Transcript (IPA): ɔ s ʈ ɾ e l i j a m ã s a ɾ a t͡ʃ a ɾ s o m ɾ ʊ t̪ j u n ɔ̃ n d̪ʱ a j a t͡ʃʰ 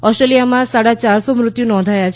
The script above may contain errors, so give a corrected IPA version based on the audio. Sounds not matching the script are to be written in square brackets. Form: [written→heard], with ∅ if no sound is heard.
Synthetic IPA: ɔ s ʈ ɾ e l i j a m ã s a [ɾ→ɽ] a t͡ʃ a ɾ s o m ɾ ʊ t̪ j u n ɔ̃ n d̪ʱ a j a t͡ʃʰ